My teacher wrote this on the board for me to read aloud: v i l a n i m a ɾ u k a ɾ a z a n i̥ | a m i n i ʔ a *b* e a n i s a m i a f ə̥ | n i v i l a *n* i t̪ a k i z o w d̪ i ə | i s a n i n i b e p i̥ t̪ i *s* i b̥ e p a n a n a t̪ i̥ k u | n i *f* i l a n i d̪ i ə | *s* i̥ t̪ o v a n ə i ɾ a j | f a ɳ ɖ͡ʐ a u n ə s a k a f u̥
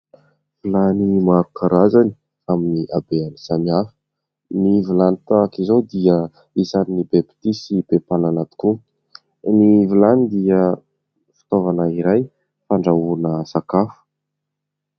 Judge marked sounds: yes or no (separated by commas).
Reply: yes, yes, yes, no, no